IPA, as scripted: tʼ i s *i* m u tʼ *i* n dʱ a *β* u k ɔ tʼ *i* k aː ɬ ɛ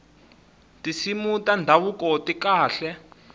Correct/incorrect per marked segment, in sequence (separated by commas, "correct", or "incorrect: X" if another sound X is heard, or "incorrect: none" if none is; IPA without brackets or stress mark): correct, incorrect: a, incorrect: w, correct